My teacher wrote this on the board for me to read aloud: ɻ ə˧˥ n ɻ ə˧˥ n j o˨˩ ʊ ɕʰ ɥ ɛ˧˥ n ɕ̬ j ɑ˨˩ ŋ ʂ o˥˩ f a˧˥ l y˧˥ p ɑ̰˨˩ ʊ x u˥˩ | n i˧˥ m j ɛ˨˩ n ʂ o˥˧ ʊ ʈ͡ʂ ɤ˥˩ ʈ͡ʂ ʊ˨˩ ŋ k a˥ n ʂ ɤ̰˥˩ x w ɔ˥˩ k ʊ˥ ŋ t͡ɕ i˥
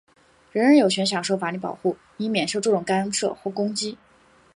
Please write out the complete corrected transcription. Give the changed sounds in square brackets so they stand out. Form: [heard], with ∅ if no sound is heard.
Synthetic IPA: ɻ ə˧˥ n ɻ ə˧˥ n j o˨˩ ʊ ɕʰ ɥ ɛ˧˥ n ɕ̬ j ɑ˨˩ ŋ ʂ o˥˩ f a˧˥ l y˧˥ p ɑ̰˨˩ ʊ x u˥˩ | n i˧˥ m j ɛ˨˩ n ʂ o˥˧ ʊ ʈ͡ʂ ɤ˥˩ ʈ͡ʂ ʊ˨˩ ŋ k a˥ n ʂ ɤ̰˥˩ x w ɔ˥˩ k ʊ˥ ŋ t͡ɕ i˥